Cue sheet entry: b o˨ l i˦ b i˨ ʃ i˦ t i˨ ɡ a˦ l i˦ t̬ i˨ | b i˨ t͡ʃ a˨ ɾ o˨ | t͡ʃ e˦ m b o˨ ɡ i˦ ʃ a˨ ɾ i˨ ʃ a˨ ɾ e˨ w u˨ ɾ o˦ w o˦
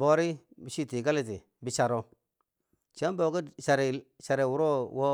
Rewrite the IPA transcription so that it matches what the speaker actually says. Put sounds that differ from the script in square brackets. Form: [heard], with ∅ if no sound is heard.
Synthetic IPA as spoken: b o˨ [ɾ] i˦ b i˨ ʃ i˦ t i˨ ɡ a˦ l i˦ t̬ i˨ | b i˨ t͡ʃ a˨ ɾ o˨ | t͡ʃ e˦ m b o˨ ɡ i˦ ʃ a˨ ɾ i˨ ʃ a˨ ɾ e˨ w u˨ ɾ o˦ w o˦

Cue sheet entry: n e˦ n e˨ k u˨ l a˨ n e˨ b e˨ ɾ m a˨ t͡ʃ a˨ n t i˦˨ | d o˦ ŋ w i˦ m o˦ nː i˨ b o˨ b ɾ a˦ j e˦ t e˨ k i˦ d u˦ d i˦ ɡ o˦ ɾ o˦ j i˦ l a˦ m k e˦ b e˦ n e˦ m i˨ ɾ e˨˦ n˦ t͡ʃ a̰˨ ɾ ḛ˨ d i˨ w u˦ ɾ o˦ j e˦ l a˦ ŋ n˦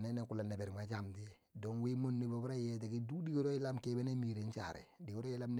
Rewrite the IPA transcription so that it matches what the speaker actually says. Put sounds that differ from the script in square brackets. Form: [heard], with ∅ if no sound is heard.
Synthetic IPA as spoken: n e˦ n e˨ k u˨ l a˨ n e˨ b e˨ ɾ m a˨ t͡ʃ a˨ [m] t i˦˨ | d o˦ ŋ w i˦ m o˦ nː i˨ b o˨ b ɾ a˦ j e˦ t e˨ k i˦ d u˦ d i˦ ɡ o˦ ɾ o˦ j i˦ l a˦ m k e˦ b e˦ n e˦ m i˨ ɾ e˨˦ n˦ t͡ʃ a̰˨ ɾ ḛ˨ d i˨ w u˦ ɾ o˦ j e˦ l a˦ [m] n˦

